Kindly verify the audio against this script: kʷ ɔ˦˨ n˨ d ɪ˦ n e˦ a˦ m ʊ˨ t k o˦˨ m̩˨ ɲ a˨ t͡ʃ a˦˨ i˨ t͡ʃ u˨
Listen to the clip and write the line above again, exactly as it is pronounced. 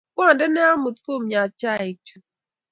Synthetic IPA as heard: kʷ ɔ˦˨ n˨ d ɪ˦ n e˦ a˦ m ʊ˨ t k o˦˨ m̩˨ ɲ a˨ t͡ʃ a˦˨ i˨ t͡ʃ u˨